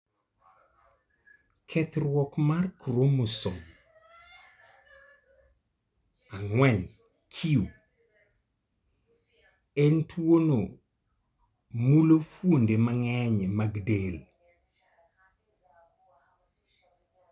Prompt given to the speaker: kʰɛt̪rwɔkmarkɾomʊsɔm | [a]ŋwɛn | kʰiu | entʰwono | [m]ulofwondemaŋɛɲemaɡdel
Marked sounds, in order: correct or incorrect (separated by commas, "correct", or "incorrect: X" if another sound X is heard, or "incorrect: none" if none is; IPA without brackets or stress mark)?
correct, correct